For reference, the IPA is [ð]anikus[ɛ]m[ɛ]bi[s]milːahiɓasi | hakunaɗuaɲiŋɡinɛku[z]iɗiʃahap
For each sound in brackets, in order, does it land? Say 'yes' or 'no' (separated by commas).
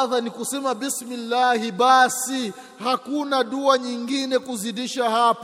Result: yes, yes, no, yes, yes